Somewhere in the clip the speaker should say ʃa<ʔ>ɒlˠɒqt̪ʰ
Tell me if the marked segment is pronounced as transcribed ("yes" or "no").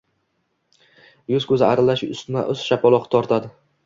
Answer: no